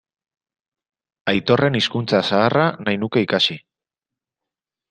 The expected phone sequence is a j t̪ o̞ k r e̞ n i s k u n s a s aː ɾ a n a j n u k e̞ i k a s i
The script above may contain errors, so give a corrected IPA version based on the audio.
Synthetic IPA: a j t̪ o̞ r e̞ n i s k u n t͡s a s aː r a n a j n u k e̞ i k a s i